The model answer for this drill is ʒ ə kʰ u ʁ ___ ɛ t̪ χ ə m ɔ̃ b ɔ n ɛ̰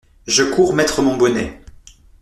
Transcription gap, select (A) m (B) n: A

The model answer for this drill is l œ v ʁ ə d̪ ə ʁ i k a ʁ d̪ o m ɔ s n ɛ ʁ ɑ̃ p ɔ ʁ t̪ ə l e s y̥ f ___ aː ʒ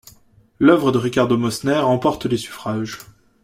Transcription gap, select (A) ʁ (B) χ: B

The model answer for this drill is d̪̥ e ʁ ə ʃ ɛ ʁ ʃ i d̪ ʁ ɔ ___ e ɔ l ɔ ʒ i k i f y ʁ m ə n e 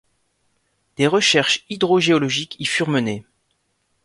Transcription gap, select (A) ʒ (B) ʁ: A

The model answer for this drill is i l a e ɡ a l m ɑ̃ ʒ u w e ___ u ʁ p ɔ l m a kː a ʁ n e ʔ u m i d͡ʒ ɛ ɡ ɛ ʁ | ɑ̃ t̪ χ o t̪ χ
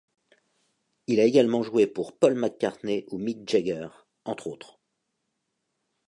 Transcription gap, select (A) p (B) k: A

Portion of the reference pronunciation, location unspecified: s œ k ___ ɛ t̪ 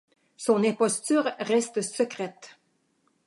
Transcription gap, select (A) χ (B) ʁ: B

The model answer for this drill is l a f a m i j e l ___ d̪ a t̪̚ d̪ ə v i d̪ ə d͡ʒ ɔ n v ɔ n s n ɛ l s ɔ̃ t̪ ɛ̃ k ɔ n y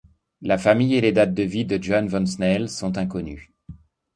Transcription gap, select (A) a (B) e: B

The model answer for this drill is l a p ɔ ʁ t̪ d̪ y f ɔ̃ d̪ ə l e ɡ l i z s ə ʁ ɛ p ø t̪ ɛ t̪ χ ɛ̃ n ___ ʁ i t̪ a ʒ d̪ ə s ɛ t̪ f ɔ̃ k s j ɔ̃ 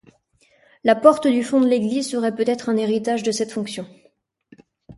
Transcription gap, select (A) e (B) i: A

